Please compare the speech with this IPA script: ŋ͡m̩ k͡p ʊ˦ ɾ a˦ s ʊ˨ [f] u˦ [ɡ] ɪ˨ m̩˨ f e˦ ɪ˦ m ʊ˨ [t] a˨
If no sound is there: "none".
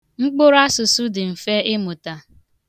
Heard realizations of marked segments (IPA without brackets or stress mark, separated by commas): s, d, t